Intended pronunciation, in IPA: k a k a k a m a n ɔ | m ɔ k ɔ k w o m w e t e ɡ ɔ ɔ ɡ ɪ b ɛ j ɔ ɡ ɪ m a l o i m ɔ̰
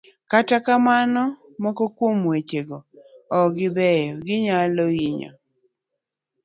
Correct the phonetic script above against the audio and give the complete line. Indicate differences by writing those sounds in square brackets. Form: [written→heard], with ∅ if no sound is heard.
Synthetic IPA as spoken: k a [k→t] a k a m a n ɔ | m ɔ k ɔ k w o m w e [t→t͡ʃ] e ɡ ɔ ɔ ɡ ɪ b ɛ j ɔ ɡ ɪ [m→ɲ] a l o i [m→ɲ] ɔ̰

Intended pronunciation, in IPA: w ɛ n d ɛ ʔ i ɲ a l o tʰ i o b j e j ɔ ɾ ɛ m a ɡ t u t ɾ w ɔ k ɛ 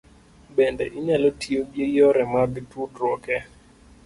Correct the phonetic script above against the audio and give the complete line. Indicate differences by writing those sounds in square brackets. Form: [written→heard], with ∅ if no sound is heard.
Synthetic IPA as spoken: [w→b] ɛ n d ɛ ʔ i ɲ a l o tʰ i o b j e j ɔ ɾ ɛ m a ɡ t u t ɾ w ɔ k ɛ

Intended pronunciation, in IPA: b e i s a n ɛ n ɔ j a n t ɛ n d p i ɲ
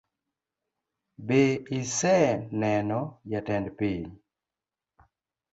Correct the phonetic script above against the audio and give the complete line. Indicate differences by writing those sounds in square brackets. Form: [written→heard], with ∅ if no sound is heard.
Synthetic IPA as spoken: b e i s [a→ɛ] n ɛ n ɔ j a [n→∅] t ɛ n d p i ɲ

